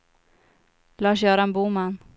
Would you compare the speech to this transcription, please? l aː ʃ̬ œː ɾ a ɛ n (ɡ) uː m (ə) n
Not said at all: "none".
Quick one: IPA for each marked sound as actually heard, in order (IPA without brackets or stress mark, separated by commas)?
b, a